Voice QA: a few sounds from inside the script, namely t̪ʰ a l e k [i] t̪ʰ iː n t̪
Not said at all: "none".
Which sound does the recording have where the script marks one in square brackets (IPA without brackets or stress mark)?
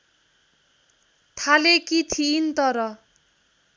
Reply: i